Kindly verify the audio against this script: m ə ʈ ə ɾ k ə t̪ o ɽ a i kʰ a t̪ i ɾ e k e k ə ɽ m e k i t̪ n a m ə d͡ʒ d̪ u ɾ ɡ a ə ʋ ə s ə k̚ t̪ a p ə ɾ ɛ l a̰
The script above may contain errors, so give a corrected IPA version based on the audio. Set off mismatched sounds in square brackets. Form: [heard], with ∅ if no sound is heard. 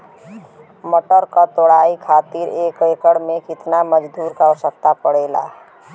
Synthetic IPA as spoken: m ə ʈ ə ɾ k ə t̪ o ɽ a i kʰ a t̪ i ɾ e k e k ə ɽ m e k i t̪ n a m ə d͡ʒ d̪ u ɾ [k] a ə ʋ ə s ə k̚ t̪ a p ə [ɽ] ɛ l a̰